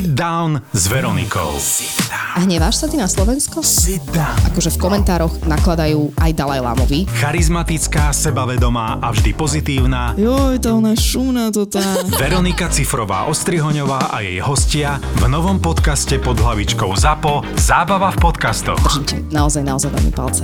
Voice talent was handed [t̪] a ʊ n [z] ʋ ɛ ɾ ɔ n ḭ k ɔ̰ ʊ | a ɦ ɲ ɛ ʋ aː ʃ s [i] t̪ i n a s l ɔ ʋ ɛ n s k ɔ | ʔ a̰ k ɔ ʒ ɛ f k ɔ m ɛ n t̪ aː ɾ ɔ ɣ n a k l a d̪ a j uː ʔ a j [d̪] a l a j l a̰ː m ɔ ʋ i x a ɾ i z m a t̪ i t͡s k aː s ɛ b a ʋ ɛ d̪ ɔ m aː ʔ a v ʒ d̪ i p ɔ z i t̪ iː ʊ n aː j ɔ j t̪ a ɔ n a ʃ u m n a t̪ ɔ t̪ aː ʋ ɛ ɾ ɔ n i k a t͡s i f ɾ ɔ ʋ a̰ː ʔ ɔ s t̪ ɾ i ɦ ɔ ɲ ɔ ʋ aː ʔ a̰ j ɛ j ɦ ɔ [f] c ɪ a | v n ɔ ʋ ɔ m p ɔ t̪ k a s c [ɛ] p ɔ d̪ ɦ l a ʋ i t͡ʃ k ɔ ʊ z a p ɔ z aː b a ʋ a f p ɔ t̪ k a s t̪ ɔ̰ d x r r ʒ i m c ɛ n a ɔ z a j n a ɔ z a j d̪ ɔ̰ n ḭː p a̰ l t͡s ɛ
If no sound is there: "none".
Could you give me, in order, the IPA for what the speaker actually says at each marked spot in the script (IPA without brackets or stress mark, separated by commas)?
d̪, z, a, d̪, s, ɛ